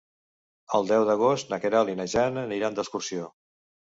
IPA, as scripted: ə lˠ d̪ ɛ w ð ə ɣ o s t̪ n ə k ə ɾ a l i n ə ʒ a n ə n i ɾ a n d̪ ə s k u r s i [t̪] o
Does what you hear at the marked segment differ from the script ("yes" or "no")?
yes